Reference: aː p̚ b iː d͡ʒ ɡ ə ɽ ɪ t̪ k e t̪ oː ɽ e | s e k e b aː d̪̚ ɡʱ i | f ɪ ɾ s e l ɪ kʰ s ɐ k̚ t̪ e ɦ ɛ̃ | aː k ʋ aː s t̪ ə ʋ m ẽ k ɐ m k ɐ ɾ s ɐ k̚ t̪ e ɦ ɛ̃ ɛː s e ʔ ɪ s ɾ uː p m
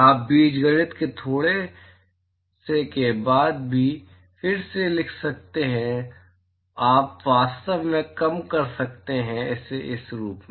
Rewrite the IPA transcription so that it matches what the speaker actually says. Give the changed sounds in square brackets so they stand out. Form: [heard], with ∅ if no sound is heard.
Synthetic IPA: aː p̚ b iː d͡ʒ ɡ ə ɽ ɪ t̪ k e [t̪ʰ] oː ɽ e | s e k e b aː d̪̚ [bʱ] i | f ɪ ɾ s e l ɪ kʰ s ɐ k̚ t̪ e ɦ ɛ̃ | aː [p] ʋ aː s t̪ ə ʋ m ẽ k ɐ m k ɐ ɾ s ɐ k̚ t̪ e ɦ ɛ̃ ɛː s e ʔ ɪ s ɾ uː p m